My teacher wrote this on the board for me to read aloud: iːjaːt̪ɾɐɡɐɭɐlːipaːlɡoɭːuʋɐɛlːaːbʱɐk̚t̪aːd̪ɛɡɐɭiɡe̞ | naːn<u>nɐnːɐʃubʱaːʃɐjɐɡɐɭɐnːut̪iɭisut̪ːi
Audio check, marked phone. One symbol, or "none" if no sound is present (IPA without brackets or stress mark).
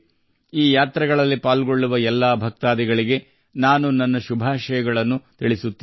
u